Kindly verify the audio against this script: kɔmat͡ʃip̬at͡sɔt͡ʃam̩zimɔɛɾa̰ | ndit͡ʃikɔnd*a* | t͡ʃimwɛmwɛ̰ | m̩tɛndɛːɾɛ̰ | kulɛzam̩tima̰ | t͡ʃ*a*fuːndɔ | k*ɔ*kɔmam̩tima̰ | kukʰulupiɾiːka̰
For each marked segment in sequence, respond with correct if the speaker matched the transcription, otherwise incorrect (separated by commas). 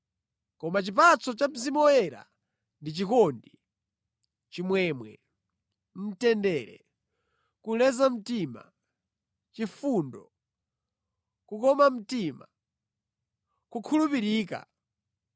incorrect, incorrect, incorrect